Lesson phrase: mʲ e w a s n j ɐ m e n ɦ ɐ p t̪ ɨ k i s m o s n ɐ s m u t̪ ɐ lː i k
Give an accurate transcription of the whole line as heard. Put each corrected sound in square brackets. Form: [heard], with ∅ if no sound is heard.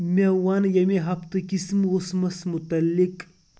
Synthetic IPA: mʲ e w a [∅] n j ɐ m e [∅] ɦ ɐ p t̪ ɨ k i s m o s [m] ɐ s m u t̪ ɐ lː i k